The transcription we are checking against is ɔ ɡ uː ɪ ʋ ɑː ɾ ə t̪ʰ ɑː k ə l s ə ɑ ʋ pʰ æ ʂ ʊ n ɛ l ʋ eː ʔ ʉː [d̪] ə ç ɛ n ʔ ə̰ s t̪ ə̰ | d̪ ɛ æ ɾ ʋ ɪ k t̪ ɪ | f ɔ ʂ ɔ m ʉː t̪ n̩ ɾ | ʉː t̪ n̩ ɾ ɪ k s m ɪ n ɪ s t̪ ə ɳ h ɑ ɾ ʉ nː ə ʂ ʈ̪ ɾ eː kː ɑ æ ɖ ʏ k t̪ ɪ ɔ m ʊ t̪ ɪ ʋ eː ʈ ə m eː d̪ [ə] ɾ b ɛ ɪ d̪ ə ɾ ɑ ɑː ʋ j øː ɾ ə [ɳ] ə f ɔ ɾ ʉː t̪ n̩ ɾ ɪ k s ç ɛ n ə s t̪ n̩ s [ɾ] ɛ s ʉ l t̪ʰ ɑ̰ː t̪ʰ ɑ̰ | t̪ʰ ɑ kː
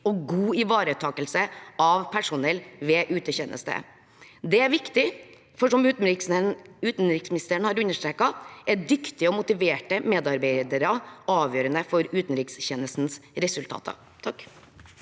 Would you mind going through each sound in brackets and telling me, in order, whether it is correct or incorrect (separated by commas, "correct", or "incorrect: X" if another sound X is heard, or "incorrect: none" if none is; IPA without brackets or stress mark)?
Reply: incorrect: t̪, incorrect: ɑ, incorrect: n, correct